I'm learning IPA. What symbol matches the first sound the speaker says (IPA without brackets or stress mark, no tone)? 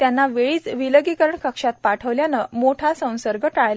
t̪